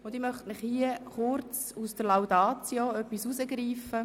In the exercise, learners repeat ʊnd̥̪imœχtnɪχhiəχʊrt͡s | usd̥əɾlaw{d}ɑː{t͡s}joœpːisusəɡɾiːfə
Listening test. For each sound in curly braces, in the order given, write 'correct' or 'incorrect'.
correct, correct

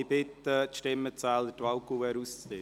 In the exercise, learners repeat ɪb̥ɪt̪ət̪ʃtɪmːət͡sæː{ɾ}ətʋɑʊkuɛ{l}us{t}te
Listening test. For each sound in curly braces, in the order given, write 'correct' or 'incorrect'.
incorrect: l, incorrect: ɾ, incorrect: t͡s

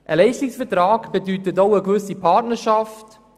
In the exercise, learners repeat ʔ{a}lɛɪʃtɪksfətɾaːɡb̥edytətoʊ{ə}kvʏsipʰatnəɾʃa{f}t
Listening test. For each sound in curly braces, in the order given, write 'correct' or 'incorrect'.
incorrect: ə, correct, correct

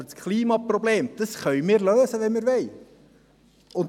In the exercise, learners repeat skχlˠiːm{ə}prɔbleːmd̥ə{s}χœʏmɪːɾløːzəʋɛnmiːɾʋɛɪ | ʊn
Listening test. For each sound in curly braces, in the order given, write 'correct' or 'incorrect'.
incorrect: ɑ, correct

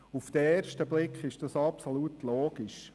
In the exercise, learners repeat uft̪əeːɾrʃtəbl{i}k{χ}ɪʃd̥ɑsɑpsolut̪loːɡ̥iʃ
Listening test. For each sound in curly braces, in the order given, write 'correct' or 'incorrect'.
incorrect: ɪ, correct

